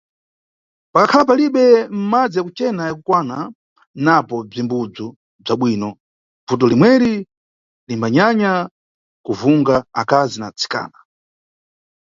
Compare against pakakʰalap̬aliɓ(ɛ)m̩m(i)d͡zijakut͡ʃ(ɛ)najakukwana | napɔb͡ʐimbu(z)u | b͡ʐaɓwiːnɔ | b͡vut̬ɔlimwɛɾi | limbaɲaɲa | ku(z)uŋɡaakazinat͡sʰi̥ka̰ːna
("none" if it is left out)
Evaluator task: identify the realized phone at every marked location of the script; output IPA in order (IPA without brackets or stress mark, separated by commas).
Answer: ɛ, a, ɛ, d͡z, v